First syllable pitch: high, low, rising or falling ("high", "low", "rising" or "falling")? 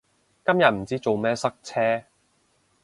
high